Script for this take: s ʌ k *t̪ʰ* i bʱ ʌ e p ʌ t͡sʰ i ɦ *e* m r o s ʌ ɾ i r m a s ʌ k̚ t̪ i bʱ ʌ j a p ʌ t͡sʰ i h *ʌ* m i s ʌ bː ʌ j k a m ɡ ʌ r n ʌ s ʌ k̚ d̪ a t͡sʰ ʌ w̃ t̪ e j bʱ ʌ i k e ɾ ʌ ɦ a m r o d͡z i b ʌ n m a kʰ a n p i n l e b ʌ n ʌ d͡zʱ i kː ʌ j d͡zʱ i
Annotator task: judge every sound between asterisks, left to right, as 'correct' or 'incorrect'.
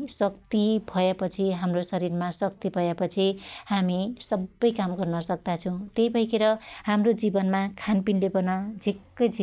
incorrect, incorrect, incorrect

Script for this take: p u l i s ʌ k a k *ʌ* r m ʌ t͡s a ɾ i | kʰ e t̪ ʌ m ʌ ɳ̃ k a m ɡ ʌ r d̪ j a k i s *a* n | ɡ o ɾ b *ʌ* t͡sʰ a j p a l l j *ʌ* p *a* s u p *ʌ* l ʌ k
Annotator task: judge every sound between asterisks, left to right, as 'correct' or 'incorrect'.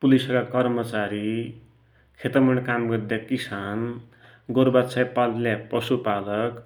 correct, correct, incorrect, incorrect, incorrect, incorrect

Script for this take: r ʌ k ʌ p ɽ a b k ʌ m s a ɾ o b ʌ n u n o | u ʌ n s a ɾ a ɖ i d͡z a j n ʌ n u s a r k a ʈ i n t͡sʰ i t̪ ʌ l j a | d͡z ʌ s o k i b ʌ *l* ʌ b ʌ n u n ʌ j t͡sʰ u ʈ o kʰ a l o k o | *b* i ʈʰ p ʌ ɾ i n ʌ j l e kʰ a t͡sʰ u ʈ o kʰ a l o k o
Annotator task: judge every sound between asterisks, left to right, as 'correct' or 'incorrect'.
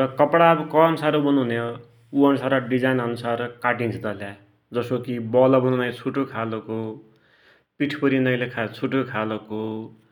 correct, incorrect

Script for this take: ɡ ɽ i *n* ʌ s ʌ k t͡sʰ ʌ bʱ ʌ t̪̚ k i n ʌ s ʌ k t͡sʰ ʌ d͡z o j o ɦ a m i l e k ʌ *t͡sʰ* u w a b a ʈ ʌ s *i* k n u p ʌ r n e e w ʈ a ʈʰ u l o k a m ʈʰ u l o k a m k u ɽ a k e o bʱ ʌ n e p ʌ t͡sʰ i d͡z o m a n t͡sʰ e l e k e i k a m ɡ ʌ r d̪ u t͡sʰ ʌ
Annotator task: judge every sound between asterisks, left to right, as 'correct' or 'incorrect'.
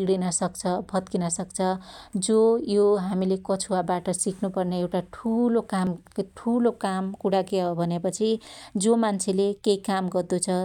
correct, correct, correct

